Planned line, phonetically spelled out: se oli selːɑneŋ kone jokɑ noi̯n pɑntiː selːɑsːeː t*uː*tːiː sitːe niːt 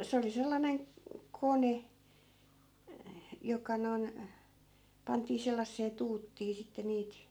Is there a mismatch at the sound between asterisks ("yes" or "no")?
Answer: no